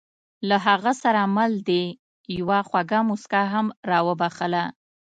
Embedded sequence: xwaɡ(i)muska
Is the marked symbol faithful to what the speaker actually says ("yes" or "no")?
no